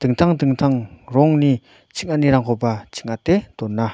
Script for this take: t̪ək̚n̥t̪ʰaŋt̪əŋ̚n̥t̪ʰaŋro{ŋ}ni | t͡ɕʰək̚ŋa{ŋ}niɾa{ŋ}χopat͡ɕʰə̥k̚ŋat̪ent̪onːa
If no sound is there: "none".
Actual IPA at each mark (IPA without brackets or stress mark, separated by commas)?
ŋ, none, ŋ